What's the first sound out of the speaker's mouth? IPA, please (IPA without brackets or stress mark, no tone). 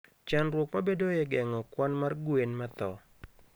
t͡ʃ